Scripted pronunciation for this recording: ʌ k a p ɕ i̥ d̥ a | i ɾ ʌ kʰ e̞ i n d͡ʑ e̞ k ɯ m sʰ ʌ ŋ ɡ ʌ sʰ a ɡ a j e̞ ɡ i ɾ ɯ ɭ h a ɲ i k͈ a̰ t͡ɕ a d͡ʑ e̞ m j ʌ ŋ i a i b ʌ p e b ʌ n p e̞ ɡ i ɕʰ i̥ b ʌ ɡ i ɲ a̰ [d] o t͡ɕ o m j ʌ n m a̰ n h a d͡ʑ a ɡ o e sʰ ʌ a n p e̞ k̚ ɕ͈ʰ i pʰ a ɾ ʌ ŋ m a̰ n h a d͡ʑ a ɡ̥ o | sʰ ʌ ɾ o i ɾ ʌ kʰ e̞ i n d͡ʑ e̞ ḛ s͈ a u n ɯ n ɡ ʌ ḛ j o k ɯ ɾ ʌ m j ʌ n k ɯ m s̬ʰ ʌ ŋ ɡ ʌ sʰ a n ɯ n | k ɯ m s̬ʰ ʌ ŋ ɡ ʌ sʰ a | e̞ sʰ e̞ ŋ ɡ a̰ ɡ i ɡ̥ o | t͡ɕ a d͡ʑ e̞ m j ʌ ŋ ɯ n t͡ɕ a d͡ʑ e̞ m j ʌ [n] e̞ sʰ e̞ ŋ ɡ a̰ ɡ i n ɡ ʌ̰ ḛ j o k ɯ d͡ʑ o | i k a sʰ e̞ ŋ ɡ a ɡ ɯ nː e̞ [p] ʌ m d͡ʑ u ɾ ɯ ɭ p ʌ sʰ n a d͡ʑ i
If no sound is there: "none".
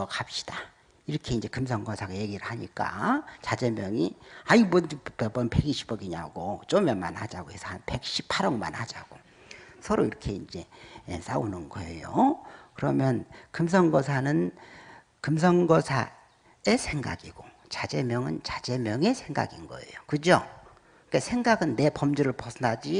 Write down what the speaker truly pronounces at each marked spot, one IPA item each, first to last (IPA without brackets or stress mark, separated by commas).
ɡ, ŋ, p